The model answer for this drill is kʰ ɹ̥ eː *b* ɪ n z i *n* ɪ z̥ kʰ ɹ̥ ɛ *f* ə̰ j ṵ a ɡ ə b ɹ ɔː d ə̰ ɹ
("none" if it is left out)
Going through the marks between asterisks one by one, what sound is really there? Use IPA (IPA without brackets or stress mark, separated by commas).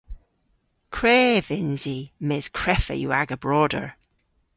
v, m, f